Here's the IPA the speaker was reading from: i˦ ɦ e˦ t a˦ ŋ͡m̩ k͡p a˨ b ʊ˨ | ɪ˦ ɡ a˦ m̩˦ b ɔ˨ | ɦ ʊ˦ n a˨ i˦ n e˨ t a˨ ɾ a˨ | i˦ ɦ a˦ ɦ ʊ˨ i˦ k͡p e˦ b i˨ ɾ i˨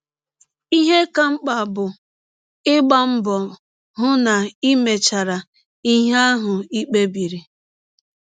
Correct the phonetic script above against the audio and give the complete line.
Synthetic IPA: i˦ ɦ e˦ k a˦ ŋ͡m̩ k͡p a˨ b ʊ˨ | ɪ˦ ɡ͡b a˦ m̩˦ b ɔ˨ | ɦ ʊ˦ n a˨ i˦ m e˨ t͡ʃ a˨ ɾ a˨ | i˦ ɦ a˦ ɦ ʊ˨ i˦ k͡p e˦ b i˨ ɾ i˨

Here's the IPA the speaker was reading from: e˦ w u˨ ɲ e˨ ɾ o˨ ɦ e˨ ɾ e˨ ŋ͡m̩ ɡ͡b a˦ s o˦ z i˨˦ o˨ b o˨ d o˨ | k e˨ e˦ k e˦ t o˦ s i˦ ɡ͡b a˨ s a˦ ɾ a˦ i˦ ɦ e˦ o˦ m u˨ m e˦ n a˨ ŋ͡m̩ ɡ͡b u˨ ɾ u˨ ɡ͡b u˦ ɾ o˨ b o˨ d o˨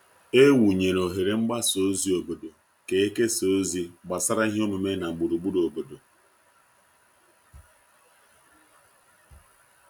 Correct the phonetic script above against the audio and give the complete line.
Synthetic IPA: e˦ w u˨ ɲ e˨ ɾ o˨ ɦ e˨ ɾ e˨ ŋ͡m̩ ɡ͡b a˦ s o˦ z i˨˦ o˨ b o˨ d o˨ | k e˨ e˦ k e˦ s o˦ z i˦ ɡ͡b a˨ s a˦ ɾ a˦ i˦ ɦ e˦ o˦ m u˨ m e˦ n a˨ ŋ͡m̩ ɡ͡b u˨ ɾ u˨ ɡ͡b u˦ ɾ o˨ b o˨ d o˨

